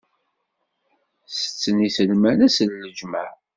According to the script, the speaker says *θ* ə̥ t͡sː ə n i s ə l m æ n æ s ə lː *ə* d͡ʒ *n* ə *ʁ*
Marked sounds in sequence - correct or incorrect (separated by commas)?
incorrect, correct, incorrect, incorrect